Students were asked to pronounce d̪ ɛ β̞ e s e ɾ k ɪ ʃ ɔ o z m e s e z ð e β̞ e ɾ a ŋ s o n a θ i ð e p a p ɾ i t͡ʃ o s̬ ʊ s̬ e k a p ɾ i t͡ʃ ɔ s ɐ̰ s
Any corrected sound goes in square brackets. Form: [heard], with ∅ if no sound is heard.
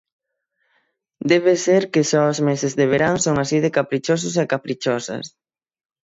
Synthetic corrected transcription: d̪ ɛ β̞ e s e ɾ k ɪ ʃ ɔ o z m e s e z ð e β̞ e ɾ a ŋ s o [ŋ] a [s] i ð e [k] a p ɾ i t͡ʃ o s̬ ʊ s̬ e k a p ɾ i t͡ʃ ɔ s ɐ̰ s